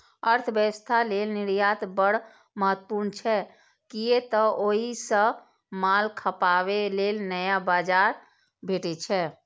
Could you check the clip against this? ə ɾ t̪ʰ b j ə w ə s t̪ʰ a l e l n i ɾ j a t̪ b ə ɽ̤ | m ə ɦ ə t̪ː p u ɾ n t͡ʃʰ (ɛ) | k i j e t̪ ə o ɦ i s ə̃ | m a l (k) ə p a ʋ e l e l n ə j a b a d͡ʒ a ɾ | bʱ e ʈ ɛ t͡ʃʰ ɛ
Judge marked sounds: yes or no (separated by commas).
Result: yes, no